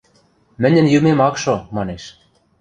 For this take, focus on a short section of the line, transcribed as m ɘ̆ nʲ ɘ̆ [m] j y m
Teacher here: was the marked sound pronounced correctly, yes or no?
no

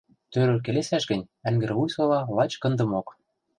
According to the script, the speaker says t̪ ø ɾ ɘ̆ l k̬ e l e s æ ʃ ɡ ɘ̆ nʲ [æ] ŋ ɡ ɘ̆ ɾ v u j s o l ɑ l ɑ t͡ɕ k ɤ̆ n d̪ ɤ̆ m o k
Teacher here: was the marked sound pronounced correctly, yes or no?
yes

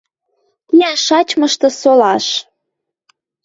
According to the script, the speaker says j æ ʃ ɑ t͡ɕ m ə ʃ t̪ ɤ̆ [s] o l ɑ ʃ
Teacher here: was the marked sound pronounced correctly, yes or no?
yes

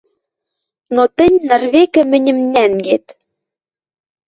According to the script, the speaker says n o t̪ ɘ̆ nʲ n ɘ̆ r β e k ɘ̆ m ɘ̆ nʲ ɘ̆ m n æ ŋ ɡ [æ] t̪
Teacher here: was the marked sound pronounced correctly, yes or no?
no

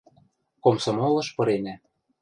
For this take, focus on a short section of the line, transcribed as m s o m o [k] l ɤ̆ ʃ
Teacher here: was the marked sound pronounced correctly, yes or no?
no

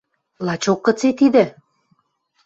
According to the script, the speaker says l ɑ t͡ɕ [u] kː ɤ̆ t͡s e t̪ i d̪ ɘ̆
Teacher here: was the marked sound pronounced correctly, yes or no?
no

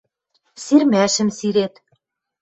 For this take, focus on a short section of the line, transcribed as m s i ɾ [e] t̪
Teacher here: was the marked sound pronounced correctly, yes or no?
yes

